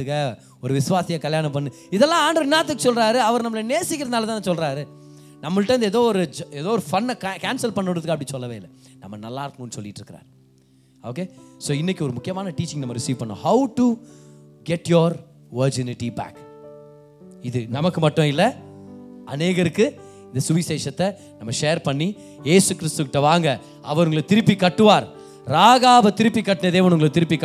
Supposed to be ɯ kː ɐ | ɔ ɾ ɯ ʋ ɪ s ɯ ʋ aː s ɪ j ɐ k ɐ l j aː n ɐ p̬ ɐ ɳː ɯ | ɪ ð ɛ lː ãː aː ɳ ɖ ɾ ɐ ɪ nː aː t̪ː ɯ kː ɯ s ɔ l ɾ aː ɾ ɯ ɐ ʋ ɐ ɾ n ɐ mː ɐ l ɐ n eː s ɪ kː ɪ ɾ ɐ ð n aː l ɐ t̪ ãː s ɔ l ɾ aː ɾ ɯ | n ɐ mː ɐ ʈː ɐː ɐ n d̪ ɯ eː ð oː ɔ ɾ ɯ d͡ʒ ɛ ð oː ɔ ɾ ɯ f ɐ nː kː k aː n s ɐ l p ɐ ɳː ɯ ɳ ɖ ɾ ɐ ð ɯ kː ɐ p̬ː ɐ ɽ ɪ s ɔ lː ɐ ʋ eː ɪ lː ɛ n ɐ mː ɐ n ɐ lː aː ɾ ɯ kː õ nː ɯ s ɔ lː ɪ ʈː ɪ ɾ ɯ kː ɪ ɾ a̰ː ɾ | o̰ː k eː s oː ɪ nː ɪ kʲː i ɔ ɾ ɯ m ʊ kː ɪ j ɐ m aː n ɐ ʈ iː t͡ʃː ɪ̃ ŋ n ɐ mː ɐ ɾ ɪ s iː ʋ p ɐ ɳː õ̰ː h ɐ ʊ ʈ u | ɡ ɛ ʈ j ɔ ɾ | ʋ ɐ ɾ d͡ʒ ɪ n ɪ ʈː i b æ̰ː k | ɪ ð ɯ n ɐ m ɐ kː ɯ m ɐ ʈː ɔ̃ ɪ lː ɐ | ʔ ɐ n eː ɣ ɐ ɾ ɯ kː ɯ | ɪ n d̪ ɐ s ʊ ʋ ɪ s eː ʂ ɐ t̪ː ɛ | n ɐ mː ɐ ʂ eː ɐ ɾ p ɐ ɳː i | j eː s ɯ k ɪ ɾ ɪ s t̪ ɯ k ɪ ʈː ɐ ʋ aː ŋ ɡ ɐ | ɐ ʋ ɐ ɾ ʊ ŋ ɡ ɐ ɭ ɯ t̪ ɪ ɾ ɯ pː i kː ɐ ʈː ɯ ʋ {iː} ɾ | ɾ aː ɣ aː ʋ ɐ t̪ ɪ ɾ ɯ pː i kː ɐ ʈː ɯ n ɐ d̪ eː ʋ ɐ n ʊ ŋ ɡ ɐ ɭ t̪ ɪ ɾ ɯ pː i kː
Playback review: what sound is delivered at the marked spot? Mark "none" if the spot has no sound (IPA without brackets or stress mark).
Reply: aː